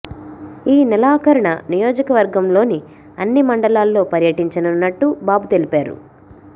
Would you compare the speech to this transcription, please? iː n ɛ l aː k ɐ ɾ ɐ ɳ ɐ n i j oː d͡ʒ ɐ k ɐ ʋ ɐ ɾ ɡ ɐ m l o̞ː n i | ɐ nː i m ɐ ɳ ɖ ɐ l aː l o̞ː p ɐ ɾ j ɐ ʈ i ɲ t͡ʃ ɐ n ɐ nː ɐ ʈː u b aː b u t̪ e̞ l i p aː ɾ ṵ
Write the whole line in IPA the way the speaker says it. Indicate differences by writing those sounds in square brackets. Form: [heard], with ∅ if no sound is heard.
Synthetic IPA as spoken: iː n ɛ l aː k ɐ ɾ ɐ ɳ ɐ n i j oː d͡ʒ ɐ k ɐ ʋ ɐ ɾ ɡ ɐ m l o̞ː n i | ɐ nː i m ɐ ɳ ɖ ɐ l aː [lː] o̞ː p ɐ ɾ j ɐ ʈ i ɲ t͡ʃ ɐ n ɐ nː ɐ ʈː u b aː b u t̪ e̞ l i p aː ɾ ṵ